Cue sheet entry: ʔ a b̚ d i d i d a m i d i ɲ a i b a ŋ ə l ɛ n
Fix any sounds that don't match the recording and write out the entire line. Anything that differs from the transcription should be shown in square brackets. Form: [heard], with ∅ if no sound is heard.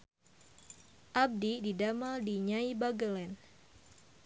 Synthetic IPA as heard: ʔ a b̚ d i d i d a m [a] d i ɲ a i b a [ɡ] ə l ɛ n